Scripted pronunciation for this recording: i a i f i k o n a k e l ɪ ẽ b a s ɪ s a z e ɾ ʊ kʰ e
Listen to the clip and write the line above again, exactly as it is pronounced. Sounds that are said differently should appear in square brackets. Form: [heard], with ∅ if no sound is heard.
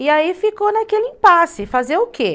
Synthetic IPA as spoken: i a i f i k o n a k e l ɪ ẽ [p] a s ɪ [f] a z e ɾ ʊ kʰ e